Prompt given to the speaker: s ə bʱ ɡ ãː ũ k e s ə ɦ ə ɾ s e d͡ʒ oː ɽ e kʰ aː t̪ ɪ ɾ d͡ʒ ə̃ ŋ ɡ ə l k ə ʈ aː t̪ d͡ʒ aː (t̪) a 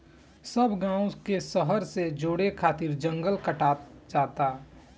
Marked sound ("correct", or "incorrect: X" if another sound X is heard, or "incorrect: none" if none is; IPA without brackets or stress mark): correct